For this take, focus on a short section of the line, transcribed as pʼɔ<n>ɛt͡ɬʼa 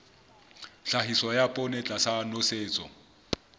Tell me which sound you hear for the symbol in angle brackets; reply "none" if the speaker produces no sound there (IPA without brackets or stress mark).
n